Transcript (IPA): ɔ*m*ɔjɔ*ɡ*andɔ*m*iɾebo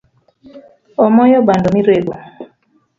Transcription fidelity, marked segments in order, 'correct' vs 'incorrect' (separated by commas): correct, incorrect, correct